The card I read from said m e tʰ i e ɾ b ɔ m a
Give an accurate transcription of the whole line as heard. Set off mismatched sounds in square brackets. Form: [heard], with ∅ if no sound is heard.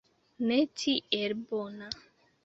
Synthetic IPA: [n] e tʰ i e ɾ b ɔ [n] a